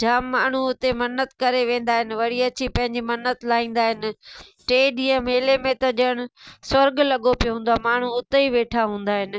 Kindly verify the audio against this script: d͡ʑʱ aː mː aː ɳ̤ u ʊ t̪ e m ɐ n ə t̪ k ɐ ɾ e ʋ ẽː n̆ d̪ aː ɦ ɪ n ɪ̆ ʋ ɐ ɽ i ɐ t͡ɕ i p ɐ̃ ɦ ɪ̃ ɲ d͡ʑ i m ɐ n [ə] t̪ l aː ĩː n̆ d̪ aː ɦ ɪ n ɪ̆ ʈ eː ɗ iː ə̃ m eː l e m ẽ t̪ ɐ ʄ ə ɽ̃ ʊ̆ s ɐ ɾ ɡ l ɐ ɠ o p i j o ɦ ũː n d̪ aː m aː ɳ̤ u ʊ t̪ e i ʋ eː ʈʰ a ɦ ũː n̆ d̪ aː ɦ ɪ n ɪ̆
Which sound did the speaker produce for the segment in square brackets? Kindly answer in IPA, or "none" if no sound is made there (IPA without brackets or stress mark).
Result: ə